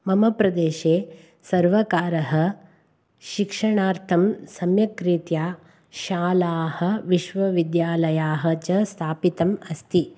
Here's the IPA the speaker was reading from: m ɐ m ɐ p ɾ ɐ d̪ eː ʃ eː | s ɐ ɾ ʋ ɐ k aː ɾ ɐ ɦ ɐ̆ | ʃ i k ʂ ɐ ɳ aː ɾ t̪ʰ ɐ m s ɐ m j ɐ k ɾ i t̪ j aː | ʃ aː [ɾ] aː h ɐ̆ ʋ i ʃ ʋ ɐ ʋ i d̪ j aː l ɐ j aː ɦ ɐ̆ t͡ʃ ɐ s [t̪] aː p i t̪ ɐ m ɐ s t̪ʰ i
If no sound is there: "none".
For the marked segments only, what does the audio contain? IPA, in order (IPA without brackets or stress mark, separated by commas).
l, t̪ʰ